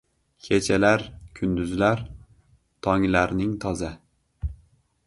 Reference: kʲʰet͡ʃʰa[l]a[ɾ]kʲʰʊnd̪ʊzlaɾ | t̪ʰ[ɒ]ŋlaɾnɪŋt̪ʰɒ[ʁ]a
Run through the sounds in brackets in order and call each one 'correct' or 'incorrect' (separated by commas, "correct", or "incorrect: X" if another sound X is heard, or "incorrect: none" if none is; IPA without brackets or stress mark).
correct, correct, correct, incorrect: z